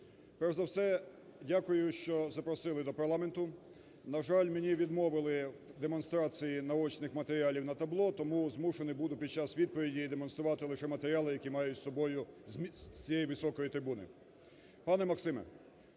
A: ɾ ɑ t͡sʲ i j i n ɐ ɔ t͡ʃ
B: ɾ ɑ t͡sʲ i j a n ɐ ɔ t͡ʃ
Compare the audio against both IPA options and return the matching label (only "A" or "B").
A